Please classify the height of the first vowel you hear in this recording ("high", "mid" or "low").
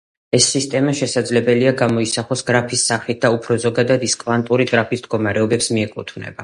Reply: mid